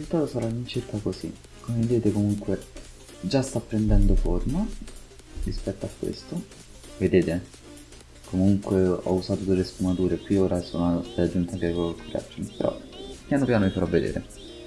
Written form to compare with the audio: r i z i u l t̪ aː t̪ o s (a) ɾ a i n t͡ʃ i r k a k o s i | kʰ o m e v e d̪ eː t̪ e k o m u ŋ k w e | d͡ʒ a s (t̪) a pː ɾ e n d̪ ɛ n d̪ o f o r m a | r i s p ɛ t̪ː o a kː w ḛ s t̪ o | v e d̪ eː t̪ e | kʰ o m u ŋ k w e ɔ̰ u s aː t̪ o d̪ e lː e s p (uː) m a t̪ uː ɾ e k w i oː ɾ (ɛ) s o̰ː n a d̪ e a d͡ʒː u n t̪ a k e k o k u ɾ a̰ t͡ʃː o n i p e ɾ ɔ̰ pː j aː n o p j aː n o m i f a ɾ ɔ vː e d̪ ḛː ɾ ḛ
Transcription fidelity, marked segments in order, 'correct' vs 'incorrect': correct, correct, incorrect: u, incorrect: a

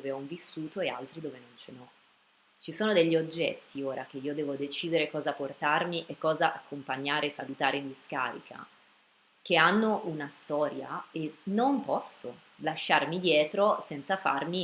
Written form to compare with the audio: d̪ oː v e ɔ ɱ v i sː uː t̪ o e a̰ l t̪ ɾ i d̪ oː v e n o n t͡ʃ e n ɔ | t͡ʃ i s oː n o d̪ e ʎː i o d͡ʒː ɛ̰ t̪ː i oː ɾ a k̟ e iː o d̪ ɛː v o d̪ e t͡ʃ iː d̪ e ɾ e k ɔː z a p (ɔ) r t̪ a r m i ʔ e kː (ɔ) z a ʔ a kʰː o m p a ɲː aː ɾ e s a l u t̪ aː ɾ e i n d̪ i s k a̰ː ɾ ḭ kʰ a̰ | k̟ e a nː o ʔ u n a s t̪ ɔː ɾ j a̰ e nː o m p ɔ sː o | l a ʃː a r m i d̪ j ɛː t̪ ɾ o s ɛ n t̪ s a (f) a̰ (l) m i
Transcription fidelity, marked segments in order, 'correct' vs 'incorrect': incorrect: o, incorrect: ɔː, correct, incorrect: r

